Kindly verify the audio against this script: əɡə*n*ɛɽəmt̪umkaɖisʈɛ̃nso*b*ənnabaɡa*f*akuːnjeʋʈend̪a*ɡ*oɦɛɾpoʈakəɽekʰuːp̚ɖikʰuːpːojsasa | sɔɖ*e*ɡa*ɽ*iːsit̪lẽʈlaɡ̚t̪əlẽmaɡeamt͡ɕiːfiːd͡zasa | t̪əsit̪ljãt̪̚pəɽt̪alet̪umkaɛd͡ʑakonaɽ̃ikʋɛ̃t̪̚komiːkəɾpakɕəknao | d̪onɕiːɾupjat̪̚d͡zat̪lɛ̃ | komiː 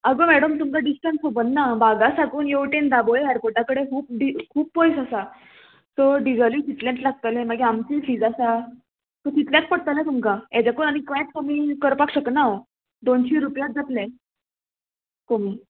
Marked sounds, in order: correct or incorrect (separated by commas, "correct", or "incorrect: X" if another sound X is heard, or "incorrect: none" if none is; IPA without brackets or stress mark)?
incorrect: m, correct, incorrect: s, incorrect: b, incorrect: i, incorrect: l